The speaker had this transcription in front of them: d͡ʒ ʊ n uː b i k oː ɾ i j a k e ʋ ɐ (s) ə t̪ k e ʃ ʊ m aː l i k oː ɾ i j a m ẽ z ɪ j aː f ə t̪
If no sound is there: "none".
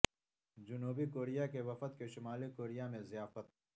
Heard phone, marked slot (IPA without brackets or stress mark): f